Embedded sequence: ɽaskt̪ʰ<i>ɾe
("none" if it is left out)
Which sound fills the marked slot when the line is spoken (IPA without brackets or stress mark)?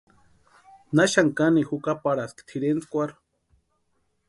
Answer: i